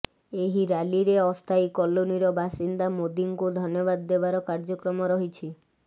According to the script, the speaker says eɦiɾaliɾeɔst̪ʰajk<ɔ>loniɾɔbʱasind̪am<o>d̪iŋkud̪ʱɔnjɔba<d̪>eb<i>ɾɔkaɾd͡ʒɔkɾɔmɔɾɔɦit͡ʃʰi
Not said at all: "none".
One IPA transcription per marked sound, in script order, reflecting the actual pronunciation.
ɔ, o, d̪ː, a

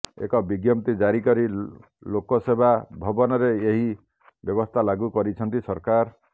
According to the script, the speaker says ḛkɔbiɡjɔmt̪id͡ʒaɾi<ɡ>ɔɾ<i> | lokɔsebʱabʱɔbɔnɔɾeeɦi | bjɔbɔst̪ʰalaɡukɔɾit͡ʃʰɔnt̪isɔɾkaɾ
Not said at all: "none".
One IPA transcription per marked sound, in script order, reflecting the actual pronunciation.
k, i

